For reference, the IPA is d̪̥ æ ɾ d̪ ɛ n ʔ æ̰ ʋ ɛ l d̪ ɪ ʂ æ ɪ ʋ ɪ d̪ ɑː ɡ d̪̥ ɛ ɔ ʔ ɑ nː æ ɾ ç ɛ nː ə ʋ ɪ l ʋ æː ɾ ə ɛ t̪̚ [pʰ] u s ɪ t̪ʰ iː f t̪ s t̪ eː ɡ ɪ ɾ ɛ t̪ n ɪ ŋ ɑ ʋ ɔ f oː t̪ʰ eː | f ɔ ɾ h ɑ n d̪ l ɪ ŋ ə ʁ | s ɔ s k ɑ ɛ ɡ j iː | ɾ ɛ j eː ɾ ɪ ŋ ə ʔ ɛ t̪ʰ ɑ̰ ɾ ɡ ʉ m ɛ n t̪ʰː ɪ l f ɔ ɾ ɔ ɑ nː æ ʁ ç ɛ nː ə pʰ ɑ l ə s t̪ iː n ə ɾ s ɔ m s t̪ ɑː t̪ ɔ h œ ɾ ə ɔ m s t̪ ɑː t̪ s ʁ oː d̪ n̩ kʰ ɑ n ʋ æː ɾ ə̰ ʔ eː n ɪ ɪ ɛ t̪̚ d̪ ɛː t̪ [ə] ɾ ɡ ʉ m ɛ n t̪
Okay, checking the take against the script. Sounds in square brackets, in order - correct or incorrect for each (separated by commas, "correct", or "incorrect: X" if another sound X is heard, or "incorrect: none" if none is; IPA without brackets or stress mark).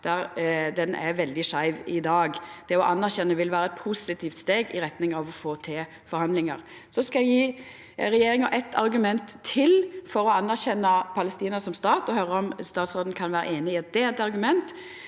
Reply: correct, incorrect: ɑ